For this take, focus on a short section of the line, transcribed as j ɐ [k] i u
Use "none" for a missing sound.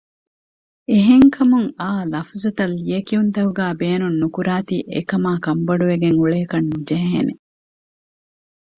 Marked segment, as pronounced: k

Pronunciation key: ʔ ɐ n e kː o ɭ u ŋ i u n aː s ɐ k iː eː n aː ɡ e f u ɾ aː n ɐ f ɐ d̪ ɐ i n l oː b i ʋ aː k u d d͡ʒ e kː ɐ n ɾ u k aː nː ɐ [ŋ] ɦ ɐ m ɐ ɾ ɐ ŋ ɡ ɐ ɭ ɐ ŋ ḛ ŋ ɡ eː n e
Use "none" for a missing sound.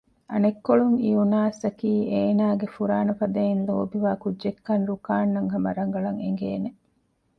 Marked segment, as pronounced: ŋ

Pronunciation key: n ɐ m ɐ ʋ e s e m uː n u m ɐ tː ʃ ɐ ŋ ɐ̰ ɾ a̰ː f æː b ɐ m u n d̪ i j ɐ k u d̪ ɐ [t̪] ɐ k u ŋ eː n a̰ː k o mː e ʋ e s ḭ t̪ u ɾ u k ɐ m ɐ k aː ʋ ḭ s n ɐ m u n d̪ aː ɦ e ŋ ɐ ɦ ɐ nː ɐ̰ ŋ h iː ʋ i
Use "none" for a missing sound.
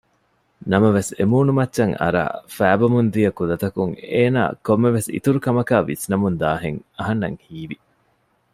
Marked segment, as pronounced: t̪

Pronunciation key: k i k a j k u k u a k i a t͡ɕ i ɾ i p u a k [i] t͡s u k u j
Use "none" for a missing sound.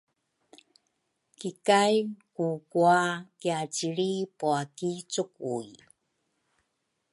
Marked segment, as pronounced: i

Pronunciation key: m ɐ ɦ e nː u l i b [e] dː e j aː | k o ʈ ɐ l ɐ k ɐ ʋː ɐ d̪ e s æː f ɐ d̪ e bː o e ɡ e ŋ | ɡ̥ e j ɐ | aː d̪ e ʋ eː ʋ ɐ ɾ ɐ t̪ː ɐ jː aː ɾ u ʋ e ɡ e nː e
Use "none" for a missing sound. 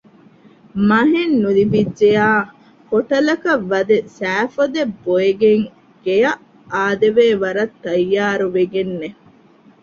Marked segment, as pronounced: i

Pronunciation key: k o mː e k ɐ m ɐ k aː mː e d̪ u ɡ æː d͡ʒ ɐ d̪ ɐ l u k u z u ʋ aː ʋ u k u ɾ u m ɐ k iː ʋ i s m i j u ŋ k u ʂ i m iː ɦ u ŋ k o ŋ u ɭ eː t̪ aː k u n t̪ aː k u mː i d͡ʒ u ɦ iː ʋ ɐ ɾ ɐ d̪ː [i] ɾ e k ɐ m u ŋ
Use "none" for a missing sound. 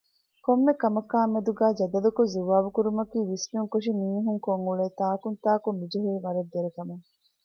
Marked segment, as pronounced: e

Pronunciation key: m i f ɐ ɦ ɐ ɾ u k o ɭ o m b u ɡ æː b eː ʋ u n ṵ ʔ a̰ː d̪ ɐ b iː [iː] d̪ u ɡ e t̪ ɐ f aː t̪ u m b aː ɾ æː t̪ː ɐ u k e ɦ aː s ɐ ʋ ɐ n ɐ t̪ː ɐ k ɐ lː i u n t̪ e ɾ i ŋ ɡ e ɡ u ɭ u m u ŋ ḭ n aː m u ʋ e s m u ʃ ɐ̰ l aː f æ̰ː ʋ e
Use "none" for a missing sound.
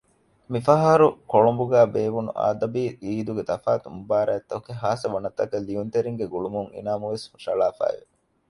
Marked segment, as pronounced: iː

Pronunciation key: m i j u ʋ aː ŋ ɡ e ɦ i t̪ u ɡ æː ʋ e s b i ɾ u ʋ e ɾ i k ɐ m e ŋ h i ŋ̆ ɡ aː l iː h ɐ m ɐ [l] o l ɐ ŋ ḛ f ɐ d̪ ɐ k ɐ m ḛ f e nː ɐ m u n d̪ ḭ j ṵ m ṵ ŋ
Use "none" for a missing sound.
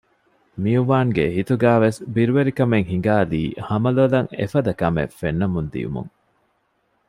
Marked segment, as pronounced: l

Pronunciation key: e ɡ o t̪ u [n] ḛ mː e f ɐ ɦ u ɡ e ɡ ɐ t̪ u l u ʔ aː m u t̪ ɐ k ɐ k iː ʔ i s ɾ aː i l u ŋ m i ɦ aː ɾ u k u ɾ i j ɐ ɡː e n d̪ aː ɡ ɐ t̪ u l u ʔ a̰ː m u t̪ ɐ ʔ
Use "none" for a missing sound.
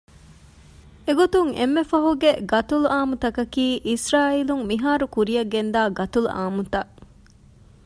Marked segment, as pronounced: ŋ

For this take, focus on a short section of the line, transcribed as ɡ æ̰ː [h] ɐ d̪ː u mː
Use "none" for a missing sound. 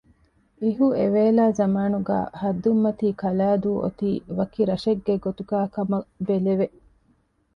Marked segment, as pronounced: h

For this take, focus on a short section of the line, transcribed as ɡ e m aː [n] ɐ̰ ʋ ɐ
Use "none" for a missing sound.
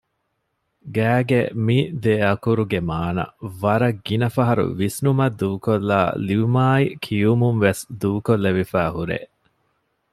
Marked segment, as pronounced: n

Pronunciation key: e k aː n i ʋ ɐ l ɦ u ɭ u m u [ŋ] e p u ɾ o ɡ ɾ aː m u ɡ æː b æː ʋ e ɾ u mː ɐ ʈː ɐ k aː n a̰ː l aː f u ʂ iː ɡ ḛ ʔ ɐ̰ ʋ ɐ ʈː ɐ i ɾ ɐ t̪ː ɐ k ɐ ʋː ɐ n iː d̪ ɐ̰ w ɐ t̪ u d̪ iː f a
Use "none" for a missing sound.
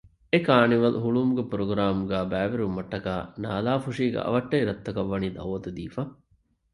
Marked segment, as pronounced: ɡ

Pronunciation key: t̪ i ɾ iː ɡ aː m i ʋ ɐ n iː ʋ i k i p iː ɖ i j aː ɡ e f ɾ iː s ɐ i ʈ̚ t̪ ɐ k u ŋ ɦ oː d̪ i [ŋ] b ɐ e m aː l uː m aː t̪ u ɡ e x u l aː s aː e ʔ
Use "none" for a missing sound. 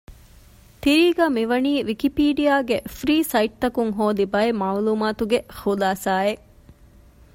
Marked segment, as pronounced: none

